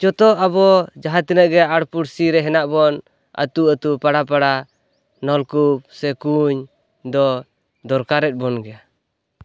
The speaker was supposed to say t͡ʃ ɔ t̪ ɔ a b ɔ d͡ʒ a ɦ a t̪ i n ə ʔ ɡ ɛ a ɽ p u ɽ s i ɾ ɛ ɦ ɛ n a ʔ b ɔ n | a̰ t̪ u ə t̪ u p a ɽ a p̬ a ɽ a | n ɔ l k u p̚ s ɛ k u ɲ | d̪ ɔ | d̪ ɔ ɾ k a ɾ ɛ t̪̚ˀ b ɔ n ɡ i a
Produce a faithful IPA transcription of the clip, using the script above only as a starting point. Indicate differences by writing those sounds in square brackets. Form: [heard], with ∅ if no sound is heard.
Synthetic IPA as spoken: t͡ʃ ɔ t̪ ɔ a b ɔ d͡ʒ a ɦ a t̪ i n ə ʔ ɡ ɛ a ɽ p u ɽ s i ɾ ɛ ɦ ɛ n a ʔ b ɔ n | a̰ t̪ u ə t̪ u p a ɽ a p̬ a ɽ a | n ɔ l k u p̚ s ɛ k u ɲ | d̪ ɔ | d̪ ɔ ɾ k a ɾ ɛ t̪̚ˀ b ɔ n ɡ [ɛ] a

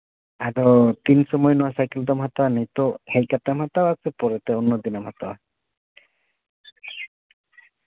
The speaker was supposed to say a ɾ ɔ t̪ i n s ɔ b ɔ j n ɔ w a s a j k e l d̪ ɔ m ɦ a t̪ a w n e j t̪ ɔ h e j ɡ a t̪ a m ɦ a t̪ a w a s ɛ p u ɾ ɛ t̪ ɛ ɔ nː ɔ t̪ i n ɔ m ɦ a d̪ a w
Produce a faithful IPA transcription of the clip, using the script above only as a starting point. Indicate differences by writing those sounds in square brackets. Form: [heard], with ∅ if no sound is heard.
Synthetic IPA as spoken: a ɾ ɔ t̪ i n s ɔ [m] ɔ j n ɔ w a s a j k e l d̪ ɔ m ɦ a t̪ a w n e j t̪ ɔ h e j [k] a t̪ a m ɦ a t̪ a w a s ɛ p [ɔ] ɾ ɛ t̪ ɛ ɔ nː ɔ [d̪] i n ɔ m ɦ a [t̪] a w

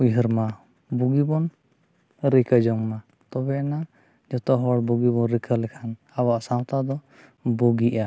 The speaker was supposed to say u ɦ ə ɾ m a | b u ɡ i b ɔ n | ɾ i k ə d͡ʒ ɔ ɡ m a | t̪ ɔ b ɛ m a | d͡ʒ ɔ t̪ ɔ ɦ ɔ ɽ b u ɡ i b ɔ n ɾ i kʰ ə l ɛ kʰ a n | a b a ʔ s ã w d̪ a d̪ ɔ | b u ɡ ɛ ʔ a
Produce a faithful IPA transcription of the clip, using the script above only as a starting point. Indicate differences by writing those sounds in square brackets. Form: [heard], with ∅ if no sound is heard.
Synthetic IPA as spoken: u ɦ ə ɾ m a | b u ɡ i b ɔ n | ɾ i k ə d͡ʒ ɔ [ŋ] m a | t̪ ɔ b ɛ [n] a | d͡ʒ ɔ t̪ ɔ ɦ ɔ ɽ b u ɡ i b ɔ n ɾ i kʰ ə l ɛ kʰ a n | a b a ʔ s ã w [t̪] a d̪ ɔ | b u ɡ [i] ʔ a

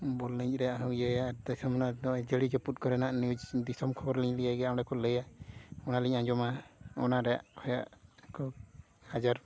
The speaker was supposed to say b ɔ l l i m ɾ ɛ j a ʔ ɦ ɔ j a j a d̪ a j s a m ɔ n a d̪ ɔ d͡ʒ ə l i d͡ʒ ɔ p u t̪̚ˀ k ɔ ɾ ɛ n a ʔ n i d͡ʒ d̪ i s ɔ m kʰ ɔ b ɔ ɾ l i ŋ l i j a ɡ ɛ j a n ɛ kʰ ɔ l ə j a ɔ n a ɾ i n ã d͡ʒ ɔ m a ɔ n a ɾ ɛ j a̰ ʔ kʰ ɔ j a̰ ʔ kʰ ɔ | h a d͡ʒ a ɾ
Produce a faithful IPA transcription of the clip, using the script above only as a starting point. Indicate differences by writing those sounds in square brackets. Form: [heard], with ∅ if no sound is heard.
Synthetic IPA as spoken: b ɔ l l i [ɲ] ɾ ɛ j a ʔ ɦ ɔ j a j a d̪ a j s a m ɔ n a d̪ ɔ d͡ʒ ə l i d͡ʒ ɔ p u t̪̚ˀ k ɔ ɾ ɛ n a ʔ n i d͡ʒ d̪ i s ɔ m kʰ ɔ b ɔ ɾ l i [ɲ] l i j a ɡ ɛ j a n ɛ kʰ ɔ l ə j a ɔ n a [l] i [ɲ] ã d͡ʒ ɔ m a ɔ n a ɾ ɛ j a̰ ʔ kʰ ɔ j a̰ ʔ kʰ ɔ | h a d͡ʒ a ɾ

